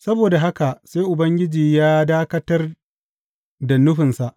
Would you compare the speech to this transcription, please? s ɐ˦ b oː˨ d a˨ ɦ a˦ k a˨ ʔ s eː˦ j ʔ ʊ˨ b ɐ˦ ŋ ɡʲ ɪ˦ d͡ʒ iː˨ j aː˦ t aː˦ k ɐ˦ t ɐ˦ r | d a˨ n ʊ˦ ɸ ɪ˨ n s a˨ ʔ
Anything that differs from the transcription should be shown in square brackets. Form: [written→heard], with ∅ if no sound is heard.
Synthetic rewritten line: s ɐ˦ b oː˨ d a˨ ɦ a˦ k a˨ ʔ s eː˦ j ʔ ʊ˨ b ɐ˦ ŋ ɡʲ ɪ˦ d͡ʒ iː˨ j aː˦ [t→d] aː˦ k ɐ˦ t ɐ˦ r | d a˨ n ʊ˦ ɸ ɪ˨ n s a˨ ʔ